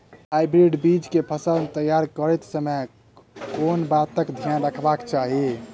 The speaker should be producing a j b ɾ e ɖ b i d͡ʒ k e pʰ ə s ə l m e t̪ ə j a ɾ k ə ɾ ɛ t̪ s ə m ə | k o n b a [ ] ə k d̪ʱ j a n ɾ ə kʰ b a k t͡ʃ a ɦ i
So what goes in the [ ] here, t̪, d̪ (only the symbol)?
t̪